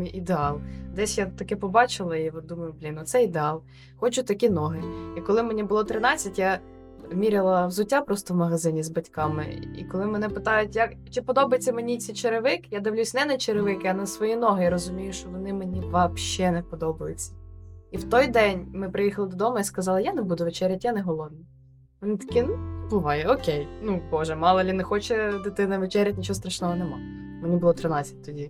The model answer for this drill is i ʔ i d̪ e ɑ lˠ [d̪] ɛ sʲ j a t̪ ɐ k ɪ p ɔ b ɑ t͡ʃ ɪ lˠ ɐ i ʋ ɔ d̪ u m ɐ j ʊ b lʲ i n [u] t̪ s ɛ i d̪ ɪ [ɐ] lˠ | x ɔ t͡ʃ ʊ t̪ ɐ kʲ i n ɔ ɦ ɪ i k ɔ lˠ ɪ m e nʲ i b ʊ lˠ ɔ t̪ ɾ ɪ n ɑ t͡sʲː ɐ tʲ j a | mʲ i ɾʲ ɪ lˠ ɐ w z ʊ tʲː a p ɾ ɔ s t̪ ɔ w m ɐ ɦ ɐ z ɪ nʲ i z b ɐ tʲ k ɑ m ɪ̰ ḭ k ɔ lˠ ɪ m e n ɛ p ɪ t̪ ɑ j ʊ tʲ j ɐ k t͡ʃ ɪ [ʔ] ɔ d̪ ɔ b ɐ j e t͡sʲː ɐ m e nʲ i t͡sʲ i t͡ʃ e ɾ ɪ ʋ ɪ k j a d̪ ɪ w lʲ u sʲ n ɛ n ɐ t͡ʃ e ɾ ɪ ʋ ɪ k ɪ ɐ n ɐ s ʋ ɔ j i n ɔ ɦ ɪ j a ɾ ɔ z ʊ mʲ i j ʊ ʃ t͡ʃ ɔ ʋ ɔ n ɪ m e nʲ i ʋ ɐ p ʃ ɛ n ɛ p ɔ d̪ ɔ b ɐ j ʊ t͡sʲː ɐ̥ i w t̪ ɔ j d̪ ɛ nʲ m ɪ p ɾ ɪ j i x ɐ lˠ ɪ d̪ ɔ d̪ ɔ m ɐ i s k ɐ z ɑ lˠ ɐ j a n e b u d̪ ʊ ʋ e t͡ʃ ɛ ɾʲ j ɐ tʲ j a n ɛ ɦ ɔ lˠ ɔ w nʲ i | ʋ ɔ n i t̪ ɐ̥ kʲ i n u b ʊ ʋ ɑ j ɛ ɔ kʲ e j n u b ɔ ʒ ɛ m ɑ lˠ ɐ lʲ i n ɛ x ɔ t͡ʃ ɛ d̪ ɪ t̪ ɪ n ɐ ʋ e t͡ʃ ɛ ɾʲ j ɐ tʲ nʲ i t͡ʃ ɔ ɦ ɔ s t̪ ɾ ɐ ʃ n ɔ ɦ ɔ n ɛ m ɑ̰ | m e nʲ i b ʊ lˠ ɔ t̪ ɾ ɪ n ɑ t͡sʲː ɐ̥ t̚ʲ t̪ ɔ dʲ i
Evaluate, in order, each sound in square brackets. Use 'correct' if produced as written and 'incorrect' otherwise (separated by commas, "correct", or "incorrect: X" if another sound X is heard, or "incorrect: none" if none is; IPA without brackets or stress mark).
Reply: correct, incorrect: ɔ, incorrect: ɑ, incorrect: p